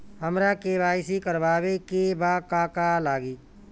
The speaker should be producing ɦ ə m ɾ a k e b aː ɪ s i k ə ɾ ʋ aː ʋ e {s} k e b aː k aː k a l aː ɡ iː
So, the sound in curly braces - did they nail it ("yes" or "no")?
no